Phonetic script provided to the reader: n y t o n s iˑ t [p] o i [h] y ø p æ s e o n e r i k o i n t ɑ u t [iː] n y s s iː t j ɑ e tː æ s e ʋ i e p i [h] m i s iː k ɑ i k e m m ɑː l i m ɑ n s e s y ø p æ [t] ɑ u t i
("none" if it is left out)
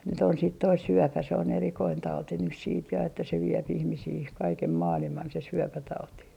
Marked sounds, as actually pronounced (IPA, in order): t, s, i, h, t

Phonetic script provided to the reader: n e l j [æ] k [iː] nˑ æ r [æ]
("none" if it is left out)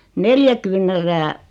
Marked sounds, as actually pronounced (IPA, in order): æ, yː, æː

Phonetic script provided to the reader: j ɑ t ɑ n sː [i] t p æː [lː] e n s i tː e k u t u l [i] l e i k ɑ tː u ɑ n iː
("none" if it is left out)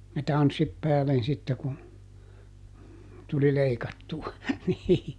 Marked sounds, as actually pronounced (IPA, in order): i, l, i

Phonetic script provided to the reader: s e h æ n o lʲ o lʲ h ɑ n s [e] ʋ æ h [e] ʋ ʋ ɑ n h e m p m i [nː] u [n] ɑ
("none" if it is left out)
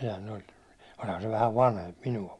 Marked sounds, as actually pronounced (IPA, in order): e, æ, n, none

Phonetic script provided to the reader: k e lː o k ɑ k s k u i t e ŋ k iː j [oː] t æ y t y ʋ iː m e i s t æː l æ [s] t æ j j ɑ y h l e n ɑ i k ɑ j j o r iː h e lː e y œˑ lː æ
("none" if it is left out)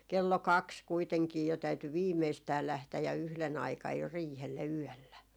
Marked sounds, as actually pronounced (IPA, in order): o, h

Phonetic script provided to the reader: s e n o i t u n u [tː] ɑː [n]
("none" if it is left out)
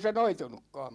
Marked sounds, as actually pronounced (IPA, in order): kː, m

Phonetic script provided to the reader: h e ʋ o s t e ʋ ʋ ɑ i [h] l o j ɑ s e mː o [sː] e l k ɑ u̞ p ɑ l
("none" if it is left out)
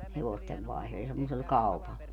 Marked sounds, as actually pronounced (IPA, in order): h, s

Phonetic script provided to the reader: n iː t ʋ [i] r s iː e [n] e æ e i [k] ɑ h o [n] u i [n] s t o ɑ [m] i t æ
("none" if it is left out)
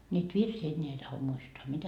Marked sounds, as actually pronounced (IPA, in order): i, nː, t, m, none, m

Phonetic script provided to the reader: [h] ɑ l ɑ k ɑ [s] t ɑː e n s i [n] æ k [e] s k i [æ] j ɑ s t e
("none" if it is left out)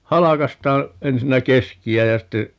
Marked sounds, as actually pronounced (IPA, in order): h, s, nː, e, æ

